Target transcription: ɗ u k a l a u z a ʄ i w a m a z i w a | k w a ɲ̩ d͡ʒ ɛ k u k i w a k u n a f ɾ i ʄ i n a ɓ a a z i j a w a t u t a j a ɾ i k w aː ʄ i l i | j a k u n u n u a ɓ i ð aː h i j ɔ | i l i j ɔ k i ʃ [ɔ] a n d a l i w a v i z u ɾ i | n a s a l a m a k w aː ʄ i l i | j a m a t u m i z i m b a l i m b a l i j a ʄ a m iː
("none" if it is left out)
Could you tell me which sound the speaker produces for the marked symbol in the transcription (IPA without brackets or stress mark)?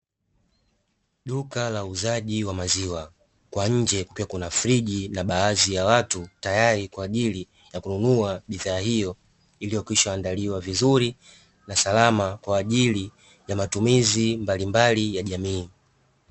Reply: ɔ